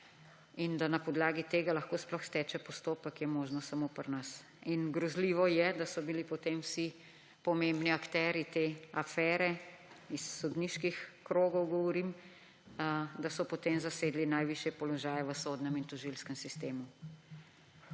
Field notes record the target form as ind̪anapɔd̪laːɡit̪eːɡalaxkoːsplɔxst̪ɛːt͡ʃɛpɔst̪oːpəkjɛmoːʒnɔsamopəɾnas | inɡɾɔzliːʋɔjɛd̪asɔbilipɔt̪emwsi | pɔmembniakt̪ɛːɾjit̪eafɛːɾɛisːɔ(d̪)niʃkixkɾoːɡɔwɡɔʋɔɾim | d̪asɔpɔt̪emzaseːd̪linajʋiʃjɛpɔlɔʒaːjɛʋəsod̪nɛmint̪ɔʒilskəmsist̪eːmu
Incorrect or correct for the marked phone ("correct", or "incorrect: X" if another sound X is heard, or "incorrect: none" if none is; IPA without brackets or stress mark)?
correct